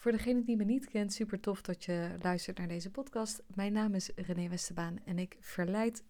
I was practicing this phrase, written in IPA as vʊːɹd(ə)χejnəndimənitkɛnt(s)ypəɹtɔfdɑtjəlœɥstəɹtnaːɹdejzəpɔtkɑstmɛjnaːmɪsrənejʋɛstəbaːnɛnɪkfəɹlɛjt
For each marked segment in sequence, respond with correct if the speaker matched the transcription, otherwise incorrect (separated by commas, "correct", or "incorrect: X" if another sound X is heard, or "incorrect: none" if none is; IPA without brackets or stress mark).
correct, correct